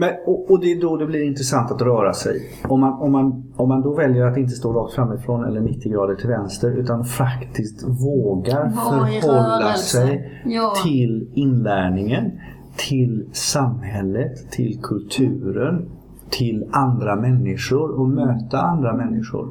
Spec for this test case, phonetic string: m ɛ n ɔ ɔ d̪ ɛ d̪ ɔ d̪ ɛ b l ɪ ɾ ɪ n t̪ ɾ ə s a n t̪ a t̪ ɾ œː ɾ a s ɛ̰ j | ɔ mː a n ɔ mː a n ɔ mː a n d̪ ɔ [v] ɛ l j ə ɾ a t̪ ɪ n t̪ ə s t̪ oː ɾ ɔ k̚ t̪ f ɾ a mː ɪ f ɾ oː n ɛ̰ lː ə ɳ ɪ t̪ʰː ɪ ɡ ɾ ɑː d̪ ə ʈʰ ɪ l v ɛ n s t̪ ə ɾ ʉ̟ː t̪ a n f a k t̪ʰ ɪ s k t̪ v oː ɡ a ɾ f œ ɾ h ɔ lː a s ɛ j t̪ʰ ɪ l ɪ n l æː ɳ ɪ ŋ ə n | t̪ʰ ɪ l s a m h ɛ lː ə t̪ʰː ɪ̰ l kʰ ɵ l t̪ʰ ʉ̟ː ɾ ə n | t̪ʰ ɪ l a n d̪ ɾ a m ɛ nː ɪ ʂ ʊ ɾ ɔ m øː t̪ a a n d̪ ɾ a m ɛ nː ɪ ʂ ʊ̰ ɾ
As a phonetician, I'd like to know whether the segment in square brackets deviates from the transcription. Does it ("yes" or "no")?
no